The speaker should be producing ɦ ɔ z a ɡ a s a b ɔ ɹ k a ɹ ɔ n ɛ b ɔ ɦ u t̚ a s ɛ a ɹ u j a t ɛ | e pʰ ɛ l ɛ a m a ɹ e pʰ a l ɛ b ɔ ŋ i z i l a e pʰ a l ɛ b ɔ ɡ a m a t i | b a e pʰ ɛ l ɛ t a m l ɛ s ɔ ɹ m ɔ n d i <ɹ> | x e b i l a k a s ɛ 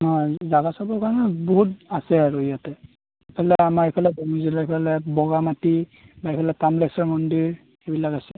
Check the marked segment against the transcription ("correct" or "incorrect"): correct